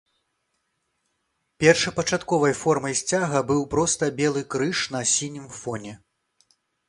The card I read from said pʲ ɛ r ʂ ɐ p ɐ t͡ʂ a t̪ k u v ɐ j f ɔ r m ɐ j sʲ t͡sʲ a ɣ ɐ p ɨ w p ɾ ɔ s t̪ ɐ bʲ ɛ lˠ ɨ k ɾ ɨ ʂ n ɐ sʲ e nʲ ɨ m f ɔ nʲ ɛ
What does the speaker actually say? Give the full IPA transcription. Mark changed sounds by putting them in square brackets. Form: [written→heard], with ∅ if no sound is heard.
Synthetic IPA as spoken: pʲ ɛ r ʂ ɐ p ɐ t͡ʂ a t̪ k [u→ɔ] v ɐ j f ɔ r m ɐ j sʲ t͡sʲ a ɣ ɐ [p→b] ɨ w p ɾ ɔ s t̪ ɐ bʲ ɛ lˠ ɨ k ɾ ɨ ʂ n ɐ sʲ [e→i] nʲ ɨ m f ɔ nʲ ɛ